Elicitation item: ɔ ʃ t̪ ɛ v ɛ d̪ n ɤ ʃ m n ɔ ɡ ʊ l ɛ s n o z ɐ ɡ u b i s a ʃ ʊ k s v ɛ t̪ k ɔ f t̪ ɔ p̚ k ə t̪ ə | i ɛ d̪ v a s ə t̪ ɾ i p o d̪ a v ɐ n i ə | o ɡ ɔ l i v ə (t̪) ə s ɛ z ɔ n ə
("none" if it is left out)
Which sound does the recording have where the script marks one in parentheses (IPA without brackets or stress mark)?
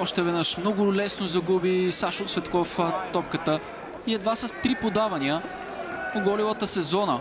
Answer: t̪